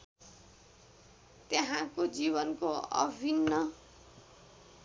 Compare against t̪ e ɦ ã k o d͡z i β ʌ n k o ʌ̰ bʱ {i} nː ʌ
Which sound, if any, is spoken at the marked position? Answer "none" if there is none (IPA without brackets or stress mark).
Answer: i